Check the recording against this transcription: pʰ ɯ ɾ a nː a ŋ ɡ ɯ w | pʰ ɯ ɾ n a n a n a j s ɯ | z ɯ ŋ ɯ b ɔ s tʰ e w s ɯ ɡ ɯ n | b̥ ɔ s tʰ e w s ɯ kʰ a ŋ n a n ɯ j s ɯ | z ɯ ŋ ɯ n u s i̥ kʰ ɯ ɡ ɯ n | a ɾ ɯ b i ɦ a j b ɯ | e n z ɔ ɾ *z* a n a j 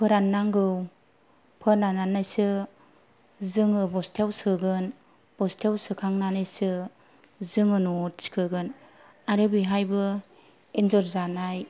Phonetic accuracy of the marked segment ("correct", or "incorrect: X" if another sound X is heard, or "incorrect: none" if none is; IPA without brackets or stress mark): correct